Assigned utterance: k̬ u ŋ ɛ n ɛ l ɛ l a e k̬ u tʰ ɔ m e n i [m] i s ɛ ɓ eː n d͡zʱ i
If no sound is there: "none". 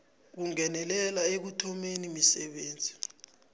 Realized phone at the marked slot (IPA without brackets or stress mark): m